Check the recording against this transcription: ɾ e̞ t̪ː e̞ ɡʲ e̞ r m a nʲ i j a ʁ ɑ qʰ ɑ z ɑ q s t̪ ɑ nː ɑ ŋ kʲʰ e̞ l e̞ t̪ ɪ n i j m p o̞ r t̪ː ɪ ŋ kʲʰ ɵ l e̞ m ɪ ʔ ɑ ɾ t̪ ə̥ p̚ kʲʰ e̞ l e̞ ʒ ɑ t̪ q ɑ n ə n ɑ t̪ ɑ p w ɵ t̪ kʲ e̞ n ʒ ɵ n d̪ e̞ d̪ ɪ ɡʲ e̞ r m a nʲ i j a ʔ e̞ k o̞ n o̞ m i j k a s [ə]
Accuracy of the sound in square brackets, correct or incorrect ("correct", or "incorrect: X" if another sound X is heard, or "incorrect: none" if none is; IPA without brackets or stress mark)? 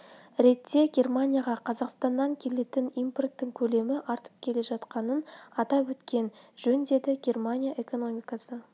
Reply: correct